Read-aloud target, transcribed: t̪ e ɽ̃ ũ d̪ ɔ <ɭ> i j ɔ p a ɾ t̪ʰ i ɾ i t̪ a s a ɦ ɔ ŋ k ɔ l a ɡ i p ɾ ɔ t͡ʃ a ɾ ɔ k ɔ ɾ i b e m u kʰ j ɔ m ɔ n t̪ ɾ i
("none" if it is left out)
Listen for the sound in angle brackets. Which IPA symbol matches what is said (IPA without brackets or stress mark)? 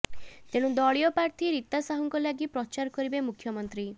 ɭ